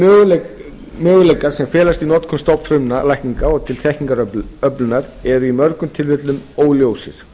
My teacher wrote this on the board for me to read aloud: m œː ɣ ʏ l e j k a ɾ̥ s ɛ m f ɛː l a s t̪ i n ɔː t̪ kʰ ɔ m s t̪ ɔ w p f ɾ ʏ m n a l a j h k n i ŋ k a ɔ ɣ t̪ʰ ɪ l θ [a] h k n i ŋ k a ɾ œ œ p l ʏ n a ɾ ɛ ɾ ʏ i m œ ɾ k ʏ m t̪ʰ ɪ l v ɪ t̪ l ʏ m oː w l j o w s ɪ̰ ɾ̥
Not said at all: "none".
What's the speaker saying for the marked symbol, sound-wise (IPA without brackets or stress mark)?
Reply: ɛ